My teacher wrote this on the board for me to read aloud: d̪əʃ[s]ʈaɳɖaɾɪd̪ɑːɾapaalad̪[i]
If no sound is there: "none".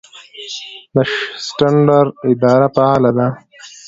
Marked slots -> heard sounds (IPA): s, a

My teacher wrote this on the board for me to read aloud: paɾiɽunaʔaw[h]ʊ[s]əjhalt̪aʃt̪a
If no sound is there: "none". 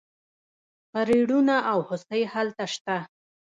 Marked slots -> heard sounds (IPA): h, s

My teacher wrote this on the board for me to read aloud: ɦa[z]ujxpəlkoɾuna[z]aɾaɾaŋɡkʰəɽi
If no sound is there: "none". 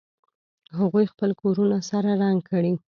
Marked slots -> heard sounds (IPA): ɣ, s

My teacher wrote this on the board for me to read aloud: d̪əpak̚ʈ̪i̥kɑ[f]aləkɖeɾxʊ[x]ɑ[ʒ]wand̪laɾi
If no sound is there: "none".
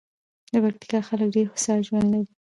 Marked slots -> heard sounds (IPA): x, s, ʒ

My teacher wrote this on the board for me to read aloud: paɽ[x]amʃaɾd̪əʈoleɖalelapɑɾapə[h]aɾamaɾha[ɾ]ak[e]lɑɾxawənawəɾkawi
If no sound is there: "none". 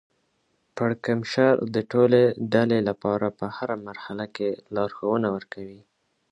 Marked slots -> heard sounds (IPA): k, h, l, e

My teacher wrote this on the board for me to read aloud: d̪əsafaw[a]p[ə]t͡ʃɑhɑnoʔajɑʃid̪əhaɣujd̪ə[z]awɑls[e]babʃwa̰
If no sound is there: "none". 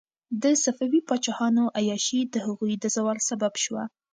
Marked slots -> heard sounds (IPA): i, ɑ, z, a

